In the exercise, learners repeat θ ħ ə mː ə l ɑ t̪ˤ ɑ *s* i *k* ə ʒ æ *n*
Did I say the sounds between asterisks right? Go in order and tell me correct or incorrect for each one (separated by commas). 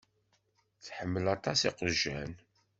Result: correct, incorrect, correct